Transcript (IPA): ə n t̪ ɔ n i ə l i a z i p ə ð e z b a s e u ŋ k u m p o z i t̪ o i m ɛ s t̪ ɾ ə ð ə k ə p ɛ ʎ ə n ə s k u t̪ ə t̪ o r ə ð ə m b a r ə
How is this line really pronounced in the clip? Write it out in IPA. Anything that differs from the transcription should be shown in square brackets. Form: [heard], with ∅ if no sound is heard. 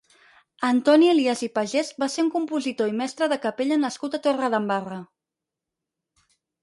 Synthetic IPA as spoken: ə n t̪ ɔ n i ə l i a z i p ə [ʒ] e z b a s e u ŋ k u m p [u] z i t̪ o i m ɛ s t̪ ɾ ə ð ə k ə p [e] ʎ ə n ə s k u t̪ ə t̪ o r ə ð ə m b a r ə